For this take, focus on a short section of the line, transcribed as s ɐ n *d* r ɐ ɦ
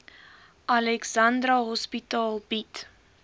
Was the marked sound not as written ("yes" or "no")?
no